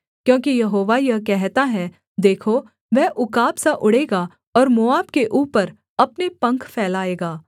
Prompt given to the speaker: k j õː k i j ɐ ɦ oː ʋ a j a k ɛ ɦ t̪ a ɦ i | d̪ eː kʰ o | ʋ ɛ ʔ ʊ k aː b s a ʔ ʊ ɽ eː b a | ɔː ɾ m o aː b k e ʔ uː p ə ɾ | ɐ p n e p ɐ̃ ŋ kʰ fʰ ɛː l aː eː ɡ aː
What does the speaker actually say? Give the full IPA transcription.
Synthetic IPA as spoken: k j õː k i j ɐ ɦ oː ʋ a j ɐ k ɛ ɦ t̪ a ɦ ɛ | d̪ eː kʰ o | ʋ ɛ ʔ ʊ k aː b s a ʔ ʊ ɽ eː ɡ a | ɔː ɾ m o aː b k e ʔ uː p ə ɾ | ɐ p n e p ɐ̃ ŋ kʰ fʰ ɛː l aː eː ɡ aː

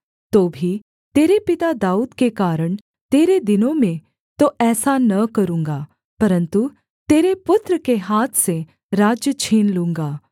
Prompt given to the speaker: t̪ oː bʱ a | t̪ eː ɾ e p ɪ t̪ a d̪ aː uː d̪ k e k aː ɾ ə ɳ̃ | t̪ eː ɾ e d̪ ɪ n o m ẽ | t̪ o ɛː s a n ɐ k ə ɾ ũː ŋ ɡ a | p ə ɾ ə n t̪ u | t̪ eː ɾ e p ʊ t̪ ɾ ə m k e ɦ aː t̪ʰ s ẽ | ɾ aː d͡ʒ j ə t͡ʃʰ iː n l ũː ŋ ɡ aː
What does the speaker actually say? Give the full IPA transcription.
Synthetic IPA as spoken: t̪ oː bʱ i | t̪ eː ɾ e p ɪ t̪ a d̪ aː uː d̪ k e k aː ɾ ə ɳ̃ | t̪ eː ɾ e d̪ ɪ n o m ẽ | t̪ o ɛː s a n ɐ k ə ɾ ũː ŋ ɡ a | p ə ɾ ə n t̪ u | t̪ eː ɾ e p ʊ t̪ ɾ ə k e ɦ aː t̪ʰ s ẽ | ɾ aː d͡ʒ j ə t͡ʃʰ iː n l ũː ŋ ɡ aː

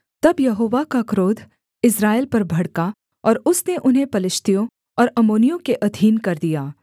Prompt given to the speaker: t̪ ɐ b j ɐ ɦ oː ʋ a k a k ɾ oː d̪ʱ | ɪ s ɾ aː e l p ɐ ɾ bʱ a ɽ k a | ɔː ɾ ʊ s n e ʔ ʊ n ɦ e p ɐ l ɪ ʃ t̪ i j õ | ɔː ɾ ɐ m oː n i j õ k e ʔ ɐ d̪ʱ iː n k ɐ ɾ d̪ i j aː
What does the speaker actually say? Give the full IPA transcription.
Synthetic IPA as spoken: t̪ ɐ b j ɐ ɦ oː ʋ a k a k ɾ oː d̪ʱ | ɪ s ɾ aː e l p ɐ ɾ bʱ ɐ ɽ k a | ɔː ɾ ʊ s n e ʔ ʊ n ɦ e p ɐ l ɪ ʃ t̪ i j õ | ɔː ɾ ɐ m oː n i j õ k e ʔ ɐ d̪ʱ iː n k ɐ ɾ d̪ i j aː

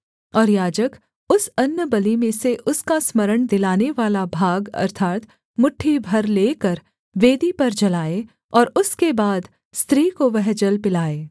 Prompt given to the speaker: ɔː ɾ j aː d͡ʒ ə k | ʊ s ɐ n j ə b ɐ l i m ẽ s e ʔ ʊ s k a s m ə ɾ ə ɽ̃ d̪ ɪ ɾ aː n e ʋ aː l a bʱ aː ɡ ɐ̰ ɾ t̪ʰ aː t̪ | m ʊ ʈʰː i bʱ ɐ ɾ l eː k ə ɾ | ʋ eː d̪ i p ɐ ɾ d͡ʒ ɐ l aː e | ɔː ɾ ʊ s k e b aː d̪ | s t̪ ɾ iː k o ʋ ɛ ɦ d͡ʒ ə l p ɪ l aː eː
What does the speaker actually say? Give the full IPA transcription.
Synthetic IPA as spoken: ɔː ɾ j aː d͡ʒ ə k | ʊ s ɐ n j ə b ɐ l i m ẽ s e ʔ ʊ s k a s m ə ɾ ə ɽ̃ d̪ ɪ l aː n e ʋ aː l a bʱ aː ɡ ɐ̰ ɾ t̪ʰ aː t̪ | m ʊ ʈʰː i bʱ ɐ ɾ l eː k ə ɾ | ʋ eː d̪ i p ɐ ɾ d͡ʒ ɐ l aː e | ɔː ɾ ʊ s k e b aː d̪ | s t̪ ɾ iː k o ʋ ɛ ɦ d͡ʒ ə l p ɪ l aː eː

